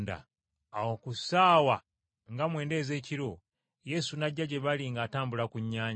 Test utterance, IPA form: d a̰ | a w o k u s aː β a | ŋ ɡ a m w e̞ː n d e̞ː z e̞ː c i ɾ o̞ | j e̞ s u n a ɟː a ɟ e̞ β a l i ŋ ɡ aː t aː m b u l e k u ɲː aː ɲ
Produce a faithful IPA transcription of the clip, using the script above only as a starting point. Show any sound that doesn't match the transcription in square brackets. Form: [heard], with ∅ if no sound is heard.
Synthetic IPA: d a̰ | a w o k u s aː [w] a | ŋ ɡ a m w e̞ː n d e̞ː z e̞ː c i ɾ o̞ | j e̞ s u n a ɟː a ɟ e̞ β a l i ŋ ɡ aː t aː m b u l [a] k u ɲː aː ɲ